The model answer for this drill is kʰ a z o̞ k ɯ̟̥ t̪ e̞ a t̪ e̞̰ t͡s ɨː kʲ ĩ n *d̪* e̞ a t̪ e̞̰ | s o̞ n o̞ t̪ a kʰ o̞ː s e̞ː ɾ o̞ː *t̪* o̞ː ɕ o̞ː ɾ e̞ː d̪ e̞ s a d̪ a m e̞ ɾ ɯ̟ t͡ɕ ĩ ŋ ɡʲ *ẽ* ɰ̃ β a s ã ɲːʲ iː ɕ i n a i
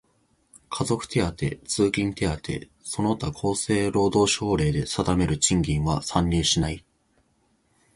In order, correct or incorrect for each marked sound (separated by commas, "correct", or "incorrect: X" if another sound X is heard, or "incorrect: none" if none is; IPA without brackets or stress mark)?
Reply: incorrect: t̪, incorrect: d̪, incorrect: ĩ